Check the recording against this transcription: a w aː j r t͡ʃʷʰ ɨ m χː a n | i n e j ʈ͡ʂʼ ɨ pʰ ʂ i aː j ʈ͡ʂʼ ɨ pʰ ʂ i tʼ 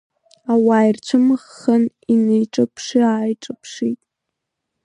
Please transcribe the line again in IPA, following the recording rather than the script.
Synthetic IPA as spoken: a w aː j r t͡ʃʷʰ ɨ m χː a n | i n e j ʈ͡ʂʼ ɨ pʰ ʂ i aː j ʈ͡ʂʼ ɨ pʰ ʂ i tʼ